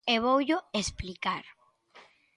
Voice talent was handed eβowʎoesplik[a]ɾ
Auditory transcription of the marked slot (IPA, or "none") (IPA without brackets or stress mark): a